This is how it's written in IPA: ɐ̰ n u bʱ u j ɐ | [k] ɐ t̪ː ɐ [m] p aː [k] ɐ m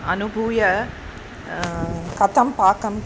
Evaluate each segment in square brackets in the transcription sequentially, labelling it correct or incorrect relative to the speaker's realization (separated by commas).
correct, correct, correct